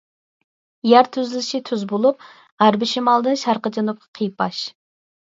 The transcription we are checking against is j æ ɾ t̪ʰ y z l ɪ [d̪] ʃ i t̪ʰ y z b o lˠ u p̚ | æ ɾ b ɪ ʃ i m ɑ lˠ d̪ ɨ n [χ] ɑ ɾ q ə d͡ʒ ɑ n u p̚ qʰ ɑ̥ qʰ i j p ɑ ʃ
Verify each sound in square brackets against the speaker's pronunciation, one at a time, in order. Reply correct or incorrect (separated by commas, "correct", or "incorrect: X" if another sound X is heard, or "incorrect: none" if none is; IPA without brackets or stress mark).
incorrect: none, incorrect: ʃ